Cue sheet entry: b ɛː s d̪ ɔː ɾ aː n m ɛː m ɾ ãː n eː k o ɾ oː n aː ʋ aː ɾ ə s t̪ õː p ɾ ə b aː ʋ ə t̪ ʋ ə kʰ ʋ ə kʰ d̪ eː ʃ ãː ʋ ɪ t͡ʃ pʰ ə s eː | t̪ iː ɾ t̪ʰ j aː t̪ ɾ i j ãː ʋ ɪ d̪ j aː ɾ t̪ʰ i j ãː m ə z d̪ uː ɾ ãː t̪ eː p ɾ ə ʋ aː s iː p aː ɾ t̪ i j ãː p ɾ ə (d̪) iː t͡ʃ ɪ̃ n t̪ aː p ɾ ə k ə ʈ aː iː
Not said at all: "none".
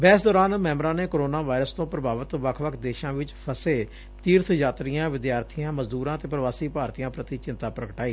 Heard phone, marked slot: t̪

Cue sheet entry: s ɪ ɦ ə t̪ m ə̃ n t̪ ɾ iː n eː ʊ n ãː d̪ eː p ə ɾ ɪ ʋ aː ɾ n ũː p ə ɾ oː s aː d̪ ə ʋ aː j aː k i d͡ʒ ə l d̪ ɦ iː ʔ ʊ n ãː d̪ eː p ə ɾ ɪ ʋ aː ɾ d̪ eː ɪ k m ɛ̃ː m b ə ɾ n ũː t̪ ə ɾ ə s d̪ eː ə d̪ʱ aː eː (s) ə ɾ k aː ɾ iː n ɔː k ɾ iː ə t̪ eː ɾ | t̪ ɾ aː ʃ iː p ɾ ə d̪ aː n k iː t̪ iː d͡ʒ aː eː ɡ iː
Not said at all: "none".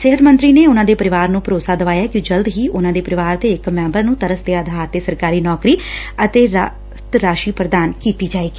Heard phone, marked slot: s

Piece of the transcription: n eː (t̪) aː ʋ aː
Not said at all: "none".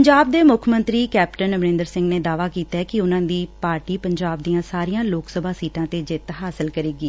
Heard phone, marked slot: d̪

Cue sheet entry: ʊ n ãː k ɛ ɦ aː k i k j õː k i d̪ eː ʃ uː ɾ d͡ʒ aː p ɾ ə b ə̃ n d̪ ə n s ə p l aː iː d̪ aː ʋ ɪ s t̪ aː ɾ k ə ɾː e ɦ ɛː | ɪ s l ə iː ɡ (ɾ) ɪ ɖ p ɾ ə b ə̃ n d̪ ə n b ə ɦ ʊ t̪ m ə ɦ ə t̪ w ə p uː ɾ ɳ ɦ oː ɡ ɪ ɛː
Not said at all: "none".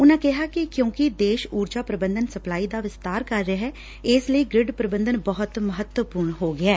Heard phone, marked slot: ɾ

